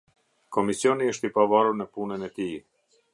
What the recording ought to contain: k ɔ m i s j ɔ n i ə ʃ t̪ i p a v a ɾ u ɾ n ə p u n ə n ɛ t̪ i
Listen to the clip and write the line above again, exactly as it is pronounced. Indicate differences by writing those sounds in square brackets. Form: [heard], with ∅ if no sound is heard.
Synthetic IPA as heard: k ɔ m i s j ɔ n i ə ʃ t̪ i p a v a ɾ u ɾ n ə p u n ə n ɛ t̪ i

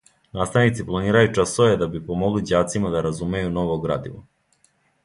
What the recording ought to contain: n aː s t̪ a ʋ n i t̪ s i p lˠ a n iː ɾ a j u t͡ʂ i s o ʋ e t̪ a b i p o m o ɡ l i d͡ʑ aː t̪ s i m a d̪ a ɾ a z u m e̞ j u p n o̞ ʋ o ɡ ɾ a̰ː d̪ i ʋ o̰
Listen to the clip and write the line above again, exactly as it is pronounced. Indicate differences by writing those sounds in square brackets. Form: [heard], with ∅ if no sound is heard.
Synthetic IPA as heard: n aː s t̪ a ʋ n i t̪ s i p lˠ a n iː ɾ a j u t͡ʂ [a] s o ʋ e [d̪] a b i p o m o ɡ l i d͡ʑ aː t̪ s i m a d̪ a ɾ a z u m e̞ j u [∅] n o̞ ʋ o ɡ ɾ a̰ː d̪ i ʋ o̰

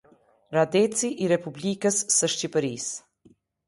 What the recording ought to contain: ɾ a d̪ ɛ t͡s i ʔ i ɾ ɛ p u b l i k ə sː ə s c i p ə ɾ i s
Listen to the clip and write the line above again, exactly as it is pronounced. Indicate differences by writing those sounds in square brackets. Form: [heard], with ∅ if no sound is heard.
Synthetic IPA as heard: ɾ a d̪ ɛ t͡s i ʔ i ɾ ɛ p u b l i k ə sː ə [ʃ] c i p ə ɾ i s

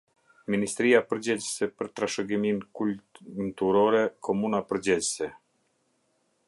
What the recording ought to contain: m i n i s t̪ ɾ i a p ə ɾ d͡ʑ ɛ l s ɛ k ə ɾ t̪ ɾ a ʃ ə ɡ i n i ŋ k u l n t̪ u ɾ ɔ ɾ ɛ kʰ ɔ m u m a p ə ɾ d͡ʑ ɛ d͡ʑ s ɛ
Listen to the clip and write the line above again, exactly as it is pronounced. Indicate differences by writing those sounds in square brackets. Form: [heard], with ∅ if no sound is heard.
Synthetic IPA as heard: m i n i s t̪ ɾ i a p ə ɾ d͡ʑ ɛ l s ɛ [p] ə ɾ t̪ ɾ a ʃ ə ɡ i [m] i [n] k u l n t̪ u ɾ ɔ ɾ ɛ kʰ ɔ m u [n] a p ə ɾ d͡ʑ ɛ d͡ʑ s ɛ

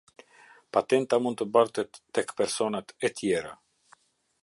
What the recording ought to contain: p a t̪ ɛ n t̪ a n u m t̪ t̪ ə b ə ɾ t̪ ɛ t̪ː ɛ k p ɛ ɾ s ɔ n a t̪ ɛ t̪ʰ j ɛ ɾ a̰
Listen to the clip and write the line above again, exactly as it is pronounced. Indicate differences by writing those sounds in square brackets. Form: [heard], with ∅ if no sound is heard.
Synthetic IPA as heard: p a t̪ ɛ n t̪ a [m] u [n] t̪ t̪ ə b [a] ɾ t̪ ɛ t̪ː ɛ k p ɛ ɾ s ɔ n a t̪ ɛ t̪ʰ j ɛ ɾ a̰

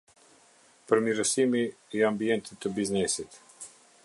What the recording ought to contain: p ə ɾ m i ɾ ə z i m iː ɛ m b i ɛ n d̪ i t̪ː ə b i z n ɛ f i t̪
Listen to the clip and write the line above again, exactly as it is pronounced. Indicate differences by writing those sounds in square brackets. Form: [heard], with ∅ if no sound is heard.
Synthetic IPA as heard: p ə ɾ m i ɾ ə [s] i m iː [a] m b i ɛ n [t̪] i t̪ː ə b i z n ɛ [s] i t̪

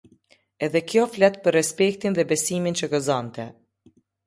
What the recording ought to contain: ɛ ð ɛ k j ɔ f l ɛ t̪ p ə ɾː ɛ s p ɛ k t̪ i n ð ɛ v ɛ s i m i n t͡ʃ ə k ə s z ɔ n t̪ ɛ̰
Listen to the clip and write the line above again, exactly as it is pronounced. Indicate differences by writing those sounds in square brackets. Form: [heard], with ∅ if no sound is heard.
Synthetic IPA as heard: ɛ ð ɛ k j ɔ f l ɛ t̪ p ə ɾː ɛ s p ɛ k t̪ i n ð ɛ [b] ɛ s i m i n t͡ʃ ə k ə [∅] z ɔ n t̪ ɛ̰

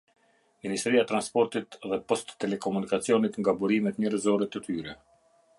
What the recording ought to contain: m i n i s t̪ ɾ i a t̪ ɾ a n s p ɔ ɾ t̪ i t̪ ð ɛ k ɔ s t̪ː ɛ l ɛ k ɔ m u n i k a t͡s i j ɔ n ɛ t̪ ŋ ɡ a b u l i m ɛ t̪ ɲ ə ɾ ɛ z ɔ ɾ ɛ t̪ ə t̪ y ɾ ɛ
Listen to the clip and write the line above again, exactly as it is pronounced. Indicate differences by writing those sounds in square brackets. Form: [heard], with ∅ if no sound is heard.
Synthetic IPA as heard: m i n i s t̪ ɾ i a t̪ ɾ a n s p ɔ ɾ t̪ i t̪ ð ɛ [p] ɔ s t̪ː ɛ l ɛ k ɔ m u n i k a t͡s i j ɔ n [i] t̪ ŋ ɡ a b u [ɾ] i m ɛ t̪ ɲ ə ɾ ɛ z ɔ ɾ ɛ t̪ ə t̪ y ɾ ɛ

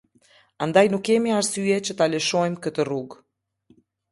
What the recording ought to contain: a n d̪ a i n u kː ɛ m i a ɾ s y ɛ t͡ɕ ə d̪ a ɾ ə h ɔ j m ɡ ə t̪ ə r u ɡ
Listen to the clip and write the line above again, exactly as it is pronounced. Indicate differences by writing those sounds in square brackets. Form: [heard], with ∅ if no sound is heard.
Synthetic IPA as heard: a n d̪ a [j] n u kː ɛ m i a ɾ s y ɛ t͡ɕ ə [t̪] a [l] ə [ʃ] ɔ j m [k] ə t̪ ə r u ɡ

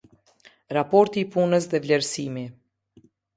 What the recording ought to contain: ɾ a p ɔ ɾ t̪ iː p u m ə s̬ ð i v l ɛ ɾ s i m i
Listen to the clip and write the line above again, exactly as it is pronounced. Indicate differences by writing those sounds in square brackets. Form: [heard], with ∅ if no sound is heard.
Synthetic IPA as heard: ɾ a p ɔ ɾ t̪ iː p u [n] ə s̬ ð [ɛ] v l ɛ ɾ s i m i

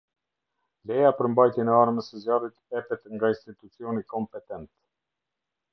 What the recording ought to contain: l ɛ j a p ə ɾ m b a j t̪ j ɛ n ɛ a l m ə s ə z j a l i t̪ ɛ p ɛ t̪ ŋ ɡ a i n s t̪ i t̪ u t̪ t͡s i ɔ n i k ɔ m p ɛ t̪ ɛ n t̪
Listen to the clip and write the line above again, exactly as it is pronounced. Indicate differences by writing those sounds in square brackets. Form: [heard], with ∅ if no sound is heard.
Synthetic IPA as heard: l ɛ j a p ə ɾ m b a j t̪ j ɛ n ɛ a [ɾ] m ə s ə z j a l i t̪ ɛ p ɛ t̪ ŋ ɡ a i n s t̪ i t̪ u [∅] t͡s i ɔ n i k ɔ m p ɛ t̪ ɛ n t̪

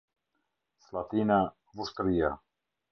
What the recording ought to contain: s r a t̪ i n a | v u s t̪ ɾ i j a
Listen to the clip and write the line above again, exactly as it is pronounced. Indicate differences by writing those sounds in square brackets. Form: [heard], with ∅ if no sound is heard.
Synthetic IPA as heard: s [l] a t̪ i n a | v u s t̪ ɾ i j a

